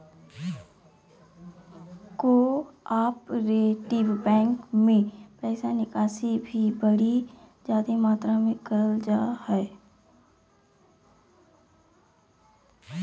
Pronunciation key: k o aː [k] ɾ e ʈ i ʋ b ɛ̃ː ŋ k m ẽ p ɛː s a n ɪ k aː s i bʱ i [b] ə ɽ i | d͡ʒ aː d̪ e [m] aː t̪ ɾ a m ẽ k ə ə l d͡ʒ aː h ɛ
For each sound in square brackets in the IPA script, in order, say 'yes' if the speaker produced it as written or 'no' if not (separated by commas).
no, yes, yes